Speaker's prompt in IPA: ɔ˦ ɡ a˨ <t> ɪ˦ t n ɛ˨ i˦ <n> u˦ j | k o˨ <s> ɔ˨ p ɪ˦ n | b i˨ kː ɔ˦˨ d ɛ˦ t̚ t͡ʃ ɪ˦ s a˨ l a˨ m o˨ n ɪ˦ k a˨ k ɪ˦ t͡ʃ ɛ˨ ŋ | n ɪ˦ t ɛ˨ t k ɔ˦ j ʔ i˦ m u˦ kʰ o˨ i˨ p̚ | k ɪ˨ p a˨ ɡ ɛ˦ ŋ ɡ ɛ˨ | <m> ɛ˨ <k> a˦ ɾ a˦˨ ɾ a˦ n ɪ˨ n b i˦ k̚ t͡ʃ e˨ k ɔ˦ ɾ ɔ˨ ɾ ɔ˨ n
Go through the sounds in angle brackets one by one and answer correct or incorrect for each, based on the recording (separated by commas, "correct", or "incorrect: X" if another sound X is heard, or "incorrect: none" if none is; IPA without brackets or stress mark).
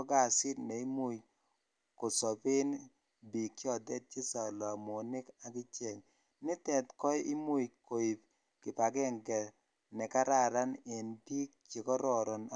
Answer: incorrect: s, incorrect: m, correct, incorrect: n, correct